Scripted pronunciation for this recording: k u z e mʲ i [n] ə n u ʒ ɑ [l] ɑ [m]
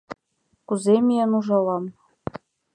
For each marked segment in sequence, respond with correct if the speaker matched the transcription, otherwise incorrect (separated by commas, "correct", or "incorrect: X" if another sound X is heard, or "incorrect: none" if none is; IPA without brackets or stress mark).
incorrect: none, correct, correct